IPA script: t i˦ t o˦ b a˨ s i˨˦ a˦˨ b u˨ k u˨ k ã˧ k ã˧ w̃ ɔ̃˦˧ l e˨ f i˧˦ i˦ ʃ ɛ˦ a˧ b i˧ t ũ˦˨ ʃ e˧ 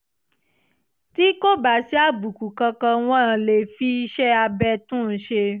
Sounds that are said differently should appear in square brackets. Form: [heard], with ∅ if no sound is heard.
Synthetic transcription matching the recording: t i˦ [k] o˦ b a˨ s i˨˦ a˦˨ b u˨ k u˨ k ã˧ k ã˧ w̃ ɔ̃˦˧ l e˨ f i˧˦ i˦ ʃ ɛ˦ a˧ b [ɛ˧] t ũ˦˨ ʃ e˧